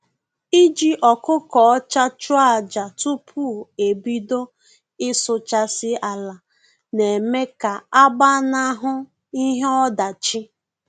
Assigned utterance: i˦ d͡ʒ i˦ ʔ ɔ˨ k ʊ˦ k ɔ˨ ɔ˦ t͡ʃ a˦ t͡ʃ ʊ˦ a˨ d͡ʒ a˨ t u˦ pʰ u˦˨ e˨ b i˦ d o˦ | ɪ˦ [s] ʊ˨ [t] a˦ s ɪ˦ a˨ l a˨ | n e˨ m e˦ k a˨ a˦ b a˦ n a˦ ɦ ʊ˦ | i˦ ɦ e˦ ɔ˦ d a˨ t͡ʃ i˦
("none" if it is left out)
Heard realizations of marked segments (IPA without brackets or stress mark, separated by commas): s, t͡ʃ